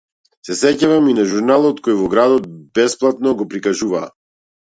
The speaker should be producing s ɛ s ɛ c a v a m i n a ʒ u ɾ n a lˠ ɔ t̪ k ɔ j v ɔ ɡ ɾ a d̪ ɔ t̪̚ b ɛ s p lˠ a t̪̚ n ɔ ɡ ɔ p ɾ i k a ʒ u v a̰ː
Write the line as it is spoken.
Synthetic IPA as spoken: s ɛ s ɛ c a v a m i n a ʒ u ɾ n a lˠ ɔ t̪ k ɔ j v ɔ ɡ ɾ a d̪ ɔ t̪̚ b ɛ s p lˠ a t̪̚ n ɔ ɡ ɔ p ɾ i k a ʒ u v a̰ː